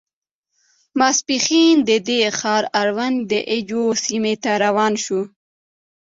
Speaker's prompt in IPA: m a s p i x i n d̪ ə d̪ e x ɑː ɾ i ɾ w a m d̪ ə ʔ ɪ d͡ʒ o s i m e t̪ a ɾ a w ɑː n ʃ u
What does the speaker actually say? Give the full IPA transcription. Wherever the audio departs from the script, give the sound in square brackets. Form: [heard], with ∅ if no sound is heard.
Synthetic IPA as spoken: m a s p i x i n d̪ ə d̪ e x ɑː ɾ [a] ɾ w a [n] d̪ ə ʔ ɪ d͡ʒ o s i m e t̪ a ɾ a w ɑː n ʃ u